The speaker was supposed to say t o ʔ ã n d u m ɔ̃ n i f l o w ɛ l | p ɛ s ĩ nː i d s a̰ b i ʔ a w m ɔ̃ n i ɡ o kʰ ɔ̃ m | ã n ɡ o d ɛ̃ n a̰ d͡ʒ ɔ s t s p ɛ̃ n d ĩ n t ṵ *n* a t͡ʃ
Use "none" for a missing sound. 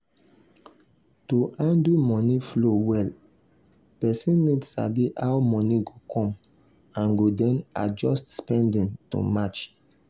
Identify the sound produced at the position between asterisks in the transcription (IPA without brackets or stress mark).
m